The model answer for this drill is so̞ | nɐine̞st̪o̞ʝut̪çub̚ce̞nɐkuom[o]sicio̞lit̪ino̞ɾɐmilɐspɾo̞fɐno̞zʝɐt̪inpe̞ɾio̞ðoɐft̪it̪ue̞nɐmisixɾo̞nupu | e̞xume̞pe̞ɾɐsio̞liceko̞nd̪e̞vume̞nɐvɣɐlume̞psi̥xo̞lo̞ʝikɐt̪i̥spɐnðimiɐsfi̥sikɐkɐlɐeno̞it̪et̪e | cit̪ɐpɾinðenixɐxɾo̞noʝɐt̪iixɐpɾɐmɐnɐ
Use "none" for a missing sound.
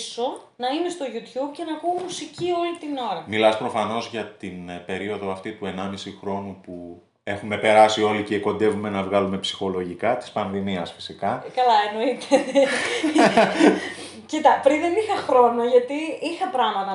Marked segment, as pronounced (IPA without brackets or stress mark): u